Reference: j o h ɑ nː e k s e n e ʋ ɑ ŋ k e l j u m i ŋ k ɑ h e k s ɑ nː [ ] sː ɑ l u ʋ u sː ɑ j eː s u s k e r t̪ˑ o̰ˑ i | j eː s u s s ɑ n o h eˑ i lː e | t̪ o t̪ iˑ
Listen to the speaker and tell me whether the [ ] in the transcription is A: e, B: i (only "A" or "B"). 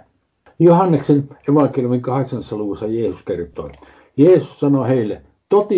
A